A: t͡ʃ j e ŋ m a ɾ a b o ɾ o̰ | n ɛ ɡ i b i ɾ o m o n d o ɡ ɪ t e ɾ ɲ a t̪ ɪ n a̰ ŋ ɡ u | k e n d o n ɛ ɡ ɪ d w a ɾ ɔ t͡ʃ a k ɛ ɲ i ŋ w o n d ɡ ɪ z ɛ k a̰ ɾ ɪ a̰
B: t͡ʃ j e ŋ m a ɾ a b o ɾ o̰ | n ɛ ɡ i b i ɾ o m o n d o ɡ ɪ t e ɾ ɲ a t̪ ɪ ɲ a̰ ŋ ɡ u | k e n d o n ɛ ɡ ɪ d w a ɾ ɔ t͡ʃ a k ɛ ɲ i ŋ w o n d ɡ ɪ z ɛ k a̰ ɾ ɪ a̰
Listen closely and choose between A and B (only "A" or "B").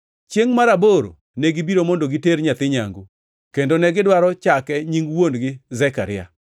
B